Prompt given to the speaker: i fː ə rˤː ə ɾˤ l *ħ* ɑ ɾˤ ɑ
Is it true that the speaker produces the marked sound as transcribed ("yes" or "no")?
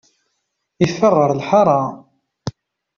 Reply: yes